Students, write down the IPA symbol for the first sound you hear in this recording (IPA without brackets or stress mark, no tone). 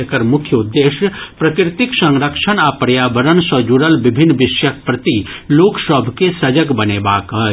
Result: k